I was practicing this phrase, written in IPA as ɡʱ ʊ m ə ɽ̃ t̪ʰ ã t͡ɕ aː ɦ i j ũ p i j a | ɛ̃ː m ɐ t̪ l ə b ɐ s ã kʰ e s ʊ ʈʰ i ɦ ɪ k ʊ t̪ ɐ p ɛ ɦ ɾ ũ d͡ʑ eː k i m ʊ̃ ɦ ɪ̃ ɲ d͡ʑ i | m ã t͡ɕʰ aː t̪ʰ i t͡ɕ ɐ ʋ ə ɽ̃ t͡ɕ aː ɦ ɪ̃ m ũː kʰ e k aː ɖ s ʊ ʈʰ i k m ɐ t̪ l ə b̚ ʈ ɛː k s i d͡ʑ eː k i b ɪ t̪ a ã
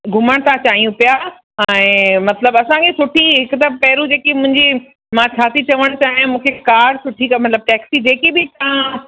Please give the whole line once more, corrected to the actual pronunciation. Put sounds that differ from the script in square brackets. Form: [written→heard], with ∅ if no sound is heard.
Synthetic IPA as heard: ɡʱ ʊ m ə ɽ̃ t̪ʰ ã t͡ɕ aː ɦ i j ũ p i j a | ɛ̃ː m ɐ t̪ l ə b ɐ s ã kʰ e s ʊ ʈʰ i ɦ ɪ k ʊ t̪ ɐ p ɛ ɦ ɾ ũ d͡ʑ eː k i m ʊ̃ ɦ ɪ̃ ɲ d͡ʑ i | m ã t͡ɕʰ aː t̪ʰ i t͡ɕ ɐ ʋ ə ɽ̃ t͡ɕ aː ɦ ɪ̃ m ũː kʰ e k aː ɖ s ʊ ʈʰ i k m ɐ t̪ l ə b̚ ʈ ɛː k s i d͡ʑ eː k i b ɪ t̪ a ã